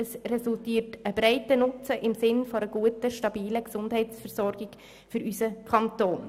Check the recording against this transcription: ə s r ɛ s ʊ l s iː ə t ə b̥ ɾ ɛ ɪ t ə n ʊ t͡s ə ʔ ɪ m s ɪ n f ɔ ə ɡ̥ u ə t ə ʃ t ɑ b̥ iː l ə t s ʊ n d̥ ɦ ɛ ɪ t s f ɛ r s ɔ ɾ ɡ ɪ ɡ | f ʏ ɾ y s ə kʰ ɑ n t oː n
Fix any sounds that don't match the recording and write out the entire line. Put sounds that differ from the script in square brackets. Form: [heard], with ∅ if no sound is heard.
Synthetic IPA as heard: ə s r ɛ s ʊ l [t] iː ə t ə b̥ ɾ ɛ ɪ t ə n ʊ t͡s ə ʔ ɪ m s ɪ n f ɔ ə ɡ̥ u ə t ə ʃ t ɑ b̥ iː l ə [k] s ʊ n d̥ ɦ ɛ ɪ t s f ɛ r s ɔ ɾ ɡ ɪ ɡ | f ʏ ɾ y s ə kʰ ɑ n t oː n